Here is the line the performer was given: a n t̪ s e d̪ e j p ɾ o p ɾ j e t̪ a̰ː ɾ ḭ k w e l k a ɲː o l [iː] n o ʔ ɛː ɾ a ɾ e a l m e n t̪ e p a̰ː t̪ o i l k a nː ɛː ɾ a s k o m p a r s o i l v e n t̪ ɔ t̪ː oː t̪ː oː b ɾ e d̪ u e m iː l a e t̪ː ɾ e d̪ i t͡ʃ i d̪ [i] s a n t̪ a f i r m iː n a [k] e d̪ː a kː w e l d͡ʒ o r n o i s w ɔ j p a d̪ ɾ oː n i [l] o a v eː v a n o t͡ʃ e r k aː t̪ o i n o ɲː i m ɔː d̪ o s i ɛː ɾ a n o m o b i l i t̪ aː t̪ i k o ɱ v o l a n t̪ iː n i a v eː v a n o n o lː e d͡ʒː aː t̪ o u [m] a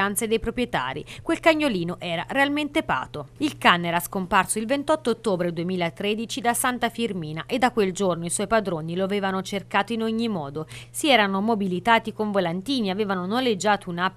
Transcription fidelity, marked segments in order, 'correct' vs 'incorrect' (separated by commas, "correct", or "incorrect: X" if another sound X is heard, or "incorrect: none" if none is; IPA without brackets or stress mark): correct, incorrect: a, incorrect: ʔ, correct, incorrect: n